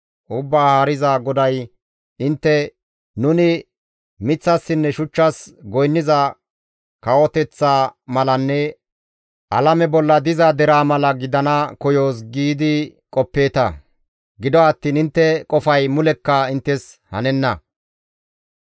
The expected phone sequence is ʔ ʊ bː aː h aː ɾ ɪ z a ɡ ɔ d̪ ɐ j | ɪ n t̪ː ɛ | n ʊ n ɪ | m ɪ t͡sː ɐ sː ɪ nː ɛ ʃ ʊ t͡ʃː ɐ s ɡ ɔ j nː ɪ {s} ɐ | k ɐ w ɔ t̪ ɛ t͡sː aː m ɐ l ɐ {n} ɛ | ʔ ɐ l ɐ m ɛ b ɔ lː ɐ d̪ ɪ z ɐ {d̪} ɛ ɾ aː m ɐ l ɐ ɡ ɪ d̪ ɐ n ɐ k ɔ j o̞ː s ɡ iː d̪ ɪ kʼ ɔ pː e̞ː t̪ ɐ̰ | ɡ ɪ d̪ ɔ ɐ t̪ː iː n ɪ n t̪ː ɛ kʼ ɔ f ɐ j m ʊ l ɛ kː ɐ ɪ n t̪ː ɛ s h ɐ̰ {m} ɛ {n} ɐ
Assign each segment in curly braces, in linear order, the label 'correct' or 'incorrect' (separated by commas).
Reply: incorrect, incorrect, correct, incorrect, incorrect